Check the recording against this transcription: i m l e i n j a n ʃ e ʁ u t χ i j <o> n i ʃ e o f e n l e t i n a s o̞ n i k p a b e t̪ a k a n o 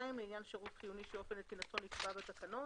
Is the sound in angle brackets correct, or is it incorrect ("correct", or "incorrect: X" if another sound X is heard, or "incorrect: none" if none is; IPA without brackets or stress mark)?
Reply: incorrect: u